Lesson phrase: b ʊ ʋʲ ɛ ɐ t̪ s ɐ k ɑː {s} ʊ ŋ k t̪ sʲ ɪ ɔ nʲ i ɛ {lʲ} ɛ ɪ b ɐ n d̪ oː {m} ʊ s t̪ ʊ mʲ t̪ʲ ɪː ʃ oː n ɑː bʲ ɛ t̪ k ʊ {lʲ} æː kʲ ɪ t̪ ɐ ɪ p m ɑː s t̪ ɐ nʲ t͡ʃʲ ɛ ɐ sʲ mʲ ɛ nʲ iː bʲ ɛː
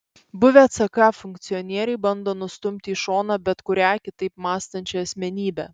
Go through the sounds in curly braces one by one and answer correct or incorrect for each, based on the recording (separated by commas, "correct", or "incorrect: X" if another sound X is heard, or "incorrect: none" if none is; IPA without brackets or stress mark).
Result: incorrect: f, incorrect: ɾʲ, incorrect: n, incorrect: ɾʲ